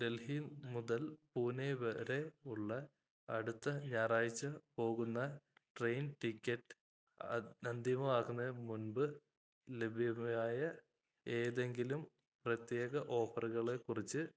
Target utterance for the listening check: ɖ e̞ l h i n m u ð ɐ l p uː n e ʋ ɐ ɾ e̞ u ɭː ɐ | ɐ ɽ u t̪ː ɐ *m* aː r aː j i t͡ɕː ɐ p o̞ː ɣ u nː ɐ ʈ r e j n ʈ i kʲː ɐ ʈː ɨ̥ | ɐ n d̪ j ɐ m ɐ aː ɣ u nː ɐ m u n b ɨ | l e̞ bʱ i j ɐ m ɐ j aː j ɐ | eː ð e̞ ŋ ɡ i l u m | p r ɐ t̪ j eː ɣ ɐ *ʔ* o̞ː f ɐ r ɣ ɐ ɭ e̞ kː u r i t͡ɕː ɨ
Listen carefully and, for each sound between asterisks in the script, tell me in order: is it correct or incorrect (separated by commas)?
incorrect, correct